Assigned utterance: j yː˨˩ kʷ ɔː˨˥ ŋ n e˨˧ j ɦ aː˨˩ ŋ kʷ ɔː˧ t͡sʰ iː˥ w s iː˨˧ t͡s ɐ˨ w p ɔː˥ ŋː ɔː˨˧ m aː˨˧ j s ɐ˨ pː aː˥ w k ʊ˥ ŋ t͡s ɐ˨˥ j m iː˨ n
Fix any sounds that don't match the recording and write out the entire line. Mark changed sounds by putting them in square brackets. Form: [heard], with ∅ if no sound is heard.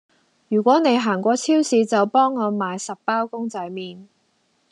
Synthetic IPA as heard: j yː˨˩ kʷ ɔː˨˥ [∅] n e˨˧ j ɦ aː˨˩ ŋ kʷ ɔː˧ t͡sʰ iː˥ w s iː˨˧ t͡s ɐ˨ w p ɔː˥ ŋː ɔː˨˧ m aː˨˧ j s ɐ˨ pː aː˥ w k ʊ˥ ŋ t͡s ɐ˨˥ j m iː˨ n